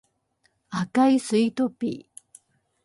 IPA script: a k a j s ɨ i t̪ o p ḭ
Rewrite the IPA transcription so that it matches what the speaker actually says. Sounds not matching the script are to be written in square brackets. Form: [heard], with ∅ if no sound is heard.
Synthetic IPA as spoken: a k a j s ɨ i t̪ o p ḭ